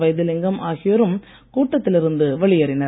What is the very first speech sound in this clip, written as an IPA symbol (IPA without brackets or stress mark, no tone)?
ʋ